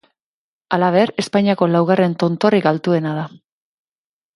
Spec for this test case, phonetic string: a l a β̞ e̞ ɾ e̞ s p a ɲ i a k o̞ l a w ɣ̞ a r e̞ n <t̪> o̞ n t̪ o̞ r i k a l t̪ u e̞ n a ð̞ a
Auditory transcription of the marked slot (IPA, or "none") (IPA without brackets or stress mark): t̪